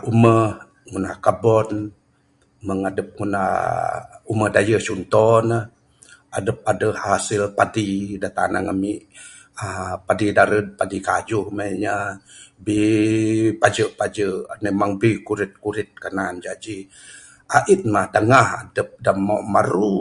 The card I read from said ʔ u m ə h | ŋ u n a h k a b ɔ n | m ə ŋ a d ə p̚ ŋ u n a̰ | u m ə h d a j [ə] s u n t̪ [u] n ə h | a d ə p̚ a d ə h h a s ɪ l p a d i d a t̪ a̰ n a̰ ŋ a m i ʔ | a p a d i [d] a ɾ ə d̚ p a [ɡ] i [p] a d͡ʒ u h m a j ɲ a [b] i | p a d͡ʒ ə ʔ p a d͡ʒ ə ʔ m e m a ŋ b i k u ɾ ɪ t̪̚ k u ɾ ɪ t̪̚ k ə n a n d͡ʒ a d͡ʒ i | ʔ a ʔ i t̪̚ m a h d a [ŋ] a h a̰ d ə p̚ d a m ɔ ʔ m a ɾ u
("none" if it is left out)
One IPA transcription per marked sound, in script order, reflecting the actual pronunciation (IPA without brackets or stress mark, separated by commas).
ə, ɔ, d, d, k, b, ŋ